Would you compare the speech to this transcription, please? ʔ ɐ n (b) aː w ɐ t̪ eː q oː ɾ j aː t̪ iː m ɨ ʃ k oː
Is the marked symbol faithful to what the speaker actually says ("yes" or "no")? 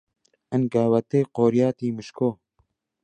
no